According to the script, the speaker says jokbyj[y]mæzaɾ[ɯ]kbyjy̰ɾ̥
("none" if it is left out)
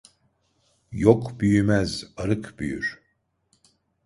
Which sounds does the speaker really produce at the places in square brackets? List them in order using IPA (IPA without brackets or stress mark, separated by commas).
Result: y, ɯ